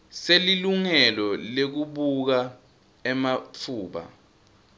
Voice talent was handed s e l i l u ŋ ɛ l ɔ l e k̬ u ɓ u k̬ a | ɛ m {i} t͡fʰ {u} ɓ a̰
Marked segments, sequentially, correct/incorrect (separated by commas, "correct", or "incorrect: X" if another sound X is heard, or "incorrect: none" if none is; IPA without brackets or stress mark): incorrect: a, incorrect: uː